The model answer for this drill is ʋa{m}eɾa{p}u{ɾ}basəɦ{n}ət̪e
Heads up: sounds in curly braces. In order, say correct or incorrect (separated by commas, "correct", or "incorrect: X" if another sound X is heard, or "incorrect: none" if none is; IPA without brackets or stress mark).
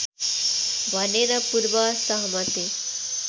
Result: incorrect: n, correct, correct, incorrect: m